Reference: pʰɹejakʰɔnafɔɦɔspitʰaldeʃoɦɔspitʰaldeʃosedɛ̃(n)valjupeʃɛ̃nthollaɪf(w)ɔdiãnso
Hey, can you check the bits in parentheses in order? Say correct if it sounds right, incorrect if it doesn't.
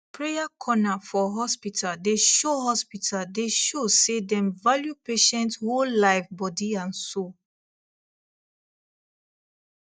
incorrect, incorrect

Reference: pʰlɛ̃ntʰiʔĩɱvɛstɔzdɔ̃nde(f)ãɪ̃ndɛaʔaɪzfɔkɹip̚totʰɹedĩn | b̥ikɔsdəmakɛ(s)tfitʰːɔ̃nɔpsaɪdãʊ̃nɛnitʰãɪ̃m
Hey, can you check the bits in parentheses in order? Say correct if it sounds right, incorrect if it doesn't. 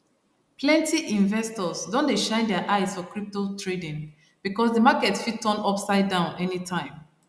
incorrect, incorrect

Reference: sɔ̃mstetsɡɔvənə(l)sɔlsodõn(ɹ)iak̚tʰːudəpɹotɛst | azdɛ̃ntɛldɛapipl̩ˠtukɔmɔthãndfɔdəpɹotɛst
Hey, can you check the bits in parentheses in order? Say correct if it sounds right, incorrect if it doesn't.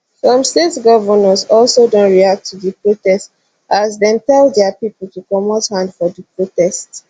incorrect, correct

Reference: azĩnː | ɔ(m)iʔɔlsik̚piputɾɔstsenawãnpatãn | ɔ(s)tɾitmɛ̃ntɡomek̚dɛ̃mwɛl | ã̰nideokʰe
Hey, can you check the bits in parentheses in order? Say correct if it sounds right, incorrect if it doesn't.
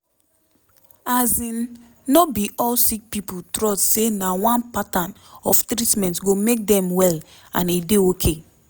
incorrect, incorrect

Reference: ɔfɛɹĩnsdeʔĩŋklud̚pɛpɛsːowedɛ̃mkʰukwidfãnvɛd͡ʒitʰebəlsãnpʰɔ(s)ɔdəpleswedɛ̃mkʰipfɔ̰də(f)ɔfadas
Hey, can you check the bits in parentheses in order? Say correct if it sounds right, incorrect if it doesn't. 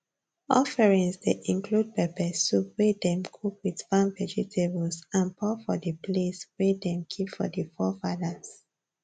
incorrect, correct

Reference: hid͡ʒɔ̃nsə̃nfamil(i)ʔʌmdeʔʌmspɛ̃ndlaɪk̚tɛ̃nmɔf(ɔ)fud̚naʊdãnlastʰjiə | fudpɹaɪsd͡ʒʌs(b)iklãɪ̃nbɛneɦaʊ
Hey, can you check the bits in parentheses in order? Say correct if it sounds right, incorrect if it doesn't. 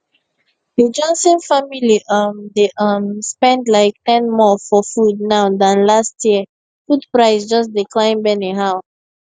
correct, correct, incorrect

